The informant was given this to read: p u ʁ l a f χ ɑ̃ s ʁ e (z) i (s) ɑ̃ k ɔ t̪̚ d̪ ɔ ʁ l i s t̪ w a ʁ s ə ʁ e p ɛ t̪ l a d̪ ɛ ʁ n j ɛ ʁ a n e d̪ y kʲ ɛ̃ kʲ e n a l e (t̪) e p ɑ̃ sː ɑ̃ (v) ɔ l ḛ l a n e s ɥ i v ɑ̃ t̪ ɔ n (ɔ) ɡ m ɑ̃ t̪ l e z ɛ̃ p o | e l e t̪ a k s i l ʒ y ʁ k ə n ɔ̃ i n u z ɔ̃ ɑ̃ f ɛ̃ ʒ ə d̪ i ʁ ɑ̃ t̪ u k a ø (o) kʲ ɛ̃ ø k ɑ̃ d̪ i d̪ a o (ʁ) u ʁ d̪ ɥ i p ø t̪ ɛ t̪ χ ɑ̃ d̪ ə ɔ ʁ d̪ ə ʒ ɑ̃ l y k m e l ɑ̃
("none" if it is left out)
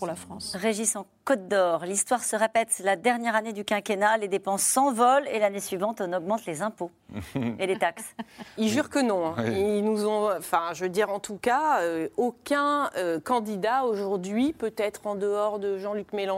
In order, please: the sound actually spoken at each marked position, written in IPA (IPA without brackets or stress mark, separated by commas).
ʒ, s, d̪, v, ɔ, o, ʒ